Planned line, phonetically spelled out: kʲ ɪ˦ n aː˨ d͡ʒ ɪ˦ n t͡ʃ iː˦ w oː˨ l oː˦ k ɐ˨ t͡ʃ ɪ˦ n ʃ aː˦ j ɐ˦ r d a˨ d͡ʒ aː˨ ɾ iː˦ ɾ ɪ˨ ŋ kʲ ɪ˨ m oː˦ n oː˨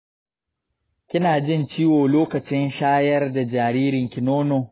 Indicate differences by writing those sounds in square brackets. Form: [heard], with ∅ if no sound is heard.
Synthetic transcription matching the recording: kʲ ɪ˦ n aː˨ d͡ʒ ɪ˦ n t͡ʃ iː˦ w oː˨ l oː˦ k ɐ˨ t͡ʃ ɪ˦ n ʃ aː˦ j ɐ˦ r d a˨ d͡ʒ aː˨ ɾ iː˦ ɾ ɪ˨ ŋ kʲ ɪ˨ [n] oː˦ n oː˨